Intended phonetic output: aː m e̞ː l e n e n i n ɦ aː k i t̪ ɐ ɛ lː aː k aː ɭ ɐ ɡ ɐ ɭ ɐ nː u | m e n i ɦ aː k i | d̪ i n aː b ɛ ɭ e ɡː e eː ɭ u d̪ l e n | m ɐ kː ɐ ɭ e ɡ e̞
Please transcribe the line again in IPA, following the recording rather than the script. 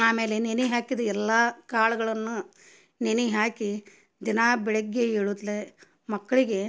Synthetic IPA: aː m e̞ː l e n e n i ɦ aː k i d̪ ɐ ɛ lː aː k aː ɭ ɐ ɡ ɐ ɭ ɐ nː u | n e n i ɦ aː k i | d̪ i n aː b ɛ ɭ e ɡː e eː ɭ u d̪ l e | m ɐ kː ɐ ɭ i ɡ e̞